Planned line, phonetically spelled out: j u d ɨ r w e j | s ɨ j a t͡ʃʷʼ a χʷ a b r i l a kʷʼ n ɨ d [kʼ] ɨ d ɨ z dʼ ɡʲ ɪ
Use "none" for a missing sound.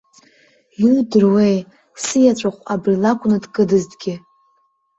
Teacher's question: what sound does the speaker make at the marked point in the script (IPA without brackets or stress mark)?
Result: kʼ